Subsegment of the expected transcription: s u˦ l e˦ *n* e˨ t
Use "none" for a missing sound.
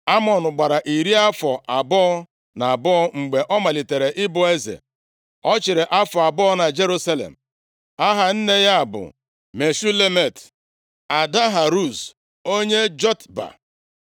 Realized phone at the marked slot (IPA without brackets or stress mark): m